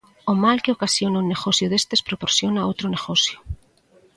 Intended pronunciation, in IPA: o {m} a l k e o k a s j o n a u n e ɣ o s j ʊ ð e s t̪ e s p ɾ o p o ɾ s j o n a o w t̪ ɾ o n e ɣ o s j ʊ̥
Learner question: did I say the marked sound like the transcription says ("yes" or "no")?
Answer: yes